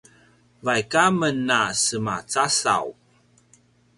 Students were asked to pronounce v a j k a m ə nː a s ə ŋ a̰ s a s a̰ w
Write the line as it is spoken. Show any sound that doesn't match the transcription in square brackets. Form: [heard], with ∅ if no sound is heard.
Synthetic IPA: v a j k a m ə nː a s ə [m] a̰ [t͡s] a s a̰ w